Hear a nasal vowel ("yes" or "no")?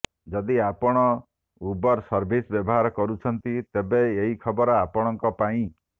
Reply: yes